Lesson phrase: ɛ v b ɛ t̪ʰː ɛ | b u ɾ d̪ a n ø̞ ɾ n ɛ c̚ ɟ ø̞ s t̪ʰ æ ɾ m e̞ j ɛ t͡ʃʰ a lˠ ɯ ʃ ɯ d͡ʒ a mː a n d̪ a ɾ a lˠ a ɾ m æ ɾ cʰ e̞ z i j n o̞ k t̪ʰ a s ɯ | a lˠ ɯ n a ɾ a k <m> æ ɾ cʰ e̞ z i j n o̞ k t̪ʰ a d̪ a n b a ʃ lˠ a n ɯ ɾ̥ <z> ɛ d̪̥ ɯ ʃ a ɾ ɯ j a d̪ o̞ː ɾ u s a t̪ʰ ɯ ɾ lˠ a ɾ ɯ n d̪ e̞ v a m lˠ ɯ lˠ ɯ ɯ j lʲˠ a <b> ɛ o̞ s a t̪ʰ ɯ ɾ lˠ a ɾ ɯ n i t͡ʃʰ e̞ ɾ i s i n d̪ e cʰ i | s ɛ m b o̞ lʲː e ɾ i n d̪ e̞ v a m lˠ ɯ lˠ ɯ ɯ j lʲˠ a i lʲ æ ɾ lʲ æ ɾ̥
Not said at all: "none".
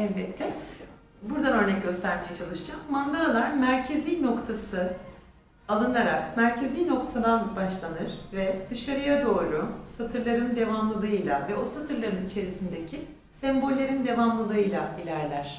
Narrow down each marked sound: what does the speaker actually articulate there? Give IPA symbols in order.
m, v, v

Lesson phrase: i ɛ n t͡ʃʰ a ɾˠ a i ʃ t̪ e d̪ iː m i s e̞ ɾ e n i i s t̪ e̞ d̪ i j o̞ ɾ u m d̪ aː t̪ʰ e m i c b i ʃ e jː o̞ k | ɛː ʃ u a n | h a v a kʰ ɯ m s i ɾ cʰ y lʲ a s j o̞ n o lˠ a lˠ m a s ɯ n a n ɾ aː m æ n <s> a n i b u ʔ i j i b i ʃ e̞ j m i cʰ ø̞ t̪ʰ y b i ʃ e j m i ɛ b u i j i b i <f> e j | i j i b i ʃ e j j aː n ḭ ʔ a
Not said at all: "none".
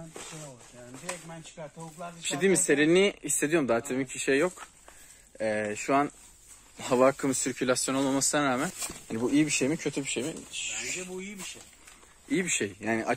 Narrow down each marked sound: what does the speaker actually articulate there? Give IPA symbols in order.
h, ʃ

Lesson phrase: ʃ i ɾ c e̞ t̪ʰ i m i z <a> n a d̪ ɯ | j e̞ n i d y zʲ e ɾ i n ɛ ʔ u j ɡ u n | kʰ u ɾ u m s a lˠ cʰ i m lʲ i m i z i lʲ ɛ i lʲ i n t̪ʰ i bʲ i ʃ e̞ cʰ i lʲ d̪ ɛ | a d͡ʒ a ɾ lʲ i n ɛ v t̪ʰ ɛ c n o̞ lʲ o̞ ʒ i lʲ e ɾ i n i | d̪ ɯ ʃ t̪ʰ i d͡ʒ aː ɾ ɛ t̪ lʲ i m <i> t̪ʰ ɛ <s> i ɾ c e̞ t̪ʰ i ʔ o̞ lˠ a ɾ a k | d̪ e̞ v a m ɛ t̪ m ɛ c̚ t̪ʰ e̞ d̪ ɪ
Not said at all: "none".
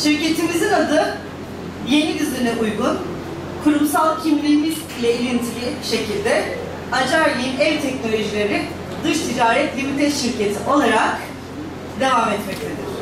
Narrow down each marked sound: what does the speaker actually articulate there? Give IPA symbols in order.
i, i, ʃ

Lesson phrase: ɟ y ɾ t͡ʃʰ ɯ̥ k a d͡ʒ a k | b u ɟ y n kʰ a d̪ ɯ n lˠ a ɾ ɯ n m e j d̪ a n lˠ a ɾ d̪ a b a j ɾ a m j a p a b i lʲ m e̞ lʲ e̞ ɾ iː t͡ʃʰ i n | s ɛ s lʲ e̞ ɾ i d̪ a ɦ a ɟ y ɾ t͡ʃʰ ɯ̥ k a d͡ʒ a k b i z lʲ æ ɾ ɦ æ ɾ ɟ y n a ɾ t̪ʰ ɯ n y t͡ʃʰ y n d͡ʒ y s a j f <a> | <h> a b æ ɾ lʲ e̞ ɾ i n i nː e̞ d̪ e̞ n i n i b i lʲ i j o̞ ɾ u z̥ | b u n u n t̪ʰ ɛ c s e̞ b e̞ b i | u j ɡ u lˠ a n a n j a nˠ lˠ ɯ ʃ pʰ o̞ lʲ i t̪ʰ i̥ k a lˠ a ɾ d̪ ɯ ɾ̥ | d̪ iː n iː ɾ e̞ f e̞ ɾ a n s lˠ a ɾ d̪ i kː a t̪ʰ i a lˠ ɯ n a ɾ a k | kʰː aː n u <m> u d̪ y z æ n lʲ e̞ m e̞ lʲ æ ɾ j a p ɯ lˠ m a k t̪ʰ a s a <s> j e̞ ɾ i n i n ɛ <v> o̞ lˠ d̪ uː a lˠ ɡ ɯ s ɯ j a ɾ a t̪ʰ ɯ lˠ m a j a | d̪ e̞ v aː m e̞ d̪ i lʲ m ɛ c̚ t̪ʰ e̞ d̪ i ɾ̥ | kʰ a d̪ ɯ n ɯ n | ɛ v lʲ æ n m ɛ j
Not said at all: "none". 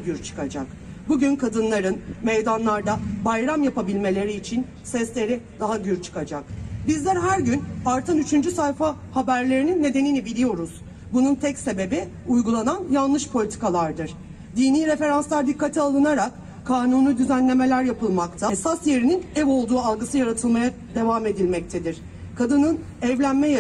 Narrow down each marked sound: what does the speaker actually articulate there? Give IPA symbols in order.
a, h, n, s, v

